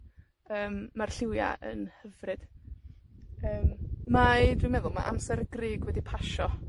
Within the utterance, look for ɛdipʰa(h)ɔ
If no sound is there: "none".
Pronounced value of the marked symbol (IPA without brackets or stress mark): ʃ